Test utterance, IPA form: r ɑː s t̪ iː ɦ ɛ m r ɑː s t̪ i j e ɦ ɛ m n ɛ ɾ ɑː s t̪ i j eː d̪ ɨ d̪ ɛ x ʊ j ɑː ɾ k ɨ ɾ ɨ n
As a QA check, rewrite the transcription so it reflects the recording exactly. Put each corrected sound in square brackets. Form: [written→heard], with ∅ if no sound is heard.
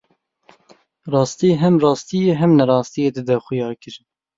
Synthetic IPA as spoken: r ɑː s t̪ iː ɦ ɛ m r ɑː s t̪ i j e ɦ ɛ m n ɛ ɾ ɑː s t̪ i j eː d̪ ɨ d̪ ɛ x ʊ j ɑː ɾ k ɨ ɾ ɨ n

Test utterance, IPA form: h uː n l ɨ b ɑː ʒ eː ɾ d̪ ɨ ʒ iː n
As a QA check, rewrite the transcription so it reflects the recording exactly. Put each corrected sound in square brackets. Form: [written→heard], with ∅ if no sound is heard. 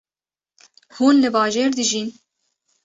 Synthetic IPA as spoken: h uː n l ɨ b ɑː ʒ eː ɾ d̪ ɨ ʒ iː n

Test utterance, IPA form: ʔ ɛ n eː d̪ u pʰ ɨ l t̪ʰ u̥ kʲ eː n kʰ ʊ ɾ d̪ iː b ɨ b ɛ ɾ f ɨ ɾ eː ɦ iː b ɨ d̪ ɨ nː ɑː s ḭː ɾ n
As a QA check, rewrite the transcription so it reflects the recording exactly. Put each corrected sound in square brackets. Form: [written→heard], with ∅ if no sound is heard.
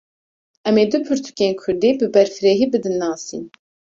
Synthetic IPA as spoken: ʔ ɛ [n→m] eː d̪ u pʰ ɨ [l→ɾ] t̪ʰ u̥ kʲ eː n kʰ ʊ ɾ d̪ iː b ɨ b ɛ ɾ f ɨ ɾ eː ɦ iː b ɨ d̪ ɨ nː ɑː s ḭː [ɾ→∅] n

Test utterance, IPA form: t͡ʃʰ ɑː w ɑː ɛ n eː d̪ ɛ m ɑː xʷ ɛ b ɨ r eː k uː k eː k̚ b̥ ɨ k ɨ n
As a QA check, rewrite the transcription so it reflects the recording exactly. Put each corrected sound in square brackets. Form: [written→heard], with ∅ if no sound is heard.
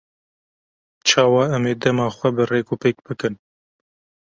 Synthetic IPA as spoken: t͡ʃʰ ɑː w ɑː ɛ [n→m] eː d̪ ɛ m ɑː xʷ ɛ b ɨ r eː k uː [k→p] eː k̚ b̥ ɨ k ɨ n

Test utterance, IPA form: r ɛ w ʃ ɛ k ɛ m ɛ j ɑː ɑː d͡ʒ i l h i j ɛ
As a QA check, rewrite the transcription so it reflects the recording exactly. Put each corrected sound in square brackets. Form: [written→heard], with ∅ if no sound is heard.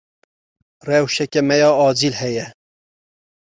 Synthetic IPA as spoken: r ɛ w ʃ ɛ k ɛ m ɛ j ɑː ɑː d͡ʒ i l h [i→ɛ] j ɛ

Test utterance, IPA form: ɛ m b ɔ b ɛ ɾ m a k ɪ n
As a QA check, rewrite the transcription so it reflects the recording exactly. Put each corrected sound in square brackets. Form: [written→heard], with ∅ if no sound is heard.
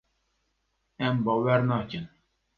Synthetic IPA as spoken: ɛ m b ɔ [b→w] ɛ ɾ [m→n] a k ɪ n

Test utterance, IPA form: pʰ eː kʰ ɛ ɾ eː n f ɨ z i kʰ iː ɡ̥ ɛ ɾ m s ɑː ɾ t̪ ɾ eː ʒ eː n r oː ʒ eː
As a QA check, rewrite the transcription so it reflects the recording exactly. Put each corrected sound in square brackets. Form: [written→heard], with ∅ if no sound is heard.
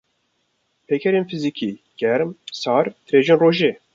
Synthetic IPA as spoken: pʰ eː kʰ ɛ ɾ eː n f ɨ z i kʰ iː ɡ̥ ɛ ɾ m s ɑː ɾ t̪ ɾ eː ʒ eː n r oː ʒ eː

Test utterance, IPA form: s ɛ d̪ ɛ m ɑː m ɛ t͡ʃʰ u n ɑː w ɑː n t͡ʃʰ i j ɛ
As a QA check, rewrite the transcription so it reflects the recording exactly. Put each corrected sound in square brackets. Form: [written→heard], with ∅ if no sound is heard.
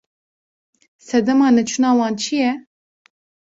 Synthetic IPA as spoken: s ɛ d̪ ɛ m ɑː [m→n] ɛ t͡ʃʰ u n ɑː w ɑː n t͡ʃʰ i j ɛ

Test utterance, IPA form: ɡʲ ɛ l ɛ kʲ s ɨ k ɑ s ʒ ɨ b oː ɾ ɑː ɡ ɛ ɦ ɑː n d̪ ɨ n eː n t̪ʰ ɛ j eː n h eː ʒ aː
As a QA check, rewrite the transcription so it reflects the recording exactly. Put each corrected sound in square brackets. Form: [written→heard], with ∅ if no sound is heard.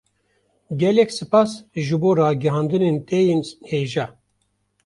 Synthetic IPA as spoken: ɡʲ ɛ l ɛ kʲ s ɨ [k→p] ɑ s ʒ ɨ b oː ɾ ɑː ɡ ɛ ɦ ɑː n d̪ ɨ n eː n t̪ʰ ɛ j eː n h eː ʒ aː

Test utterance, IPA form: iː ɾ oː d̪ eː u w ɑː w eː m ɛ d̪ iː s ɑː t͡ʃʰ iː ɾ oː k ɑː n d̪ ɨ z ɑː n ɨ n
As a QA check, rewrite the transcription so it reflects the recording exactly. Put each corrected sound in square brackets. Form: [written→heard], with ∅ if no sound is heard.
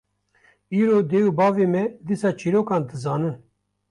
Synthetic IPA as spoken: iː ɾ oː d̪ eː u [w→b] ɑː [w→v] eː m ɛ d̪ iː s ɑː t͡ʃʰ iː ɾ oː k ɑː n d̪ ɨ z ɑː n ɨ n

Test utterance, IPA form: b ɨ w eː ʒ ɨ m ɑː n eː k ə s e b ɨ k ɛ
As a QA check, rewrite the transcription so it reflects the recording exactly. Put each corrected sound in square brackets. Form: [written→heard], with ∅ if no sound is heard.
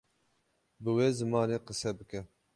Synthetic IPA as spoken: b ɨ w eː [ʒ→z] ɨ m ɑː n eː [k→q] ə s [e→ɛ] b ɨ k ɛ

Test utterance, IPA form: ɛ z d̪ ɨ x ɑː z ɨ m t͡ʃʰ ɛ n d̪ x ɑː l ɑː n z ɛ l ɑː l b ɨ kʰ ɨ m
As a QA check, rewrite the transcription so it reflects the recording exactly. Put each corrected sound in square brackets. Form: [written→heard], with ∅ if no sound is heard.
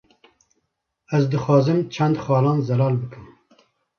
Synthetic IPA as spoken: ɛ z d̪ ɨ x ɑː z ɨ m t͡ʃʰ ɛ n d̪ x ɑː l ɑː n z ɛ l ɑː l b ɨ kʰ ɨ m

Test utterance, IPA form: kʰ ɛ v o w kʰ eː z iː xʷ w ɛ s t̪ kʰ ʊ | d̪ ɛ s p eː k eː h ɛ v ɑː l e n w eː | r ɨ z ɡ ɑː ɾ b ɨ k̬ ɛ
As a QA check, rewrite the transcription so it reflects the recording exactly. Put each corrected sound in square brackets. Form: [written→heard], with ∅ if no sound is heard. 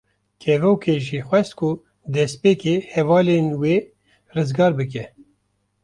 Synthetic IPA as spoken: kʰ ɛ v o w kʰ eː [z→ʒ] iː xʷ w ɛ s t̪ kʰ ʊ | d̪ ɛ s p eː k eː h ɛ v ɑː l e n w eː | r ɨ z ɡ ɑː ɾ b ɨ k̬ ɛ

